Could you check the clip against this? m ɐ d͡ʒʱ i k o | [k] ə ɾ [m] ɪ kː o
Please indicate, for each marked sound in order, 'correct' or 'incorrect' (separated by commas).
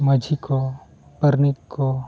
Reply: incorrect, incorrect